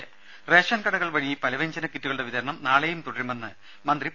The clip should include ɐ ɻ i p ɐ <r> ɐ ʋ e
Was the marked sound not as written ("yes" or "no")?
yes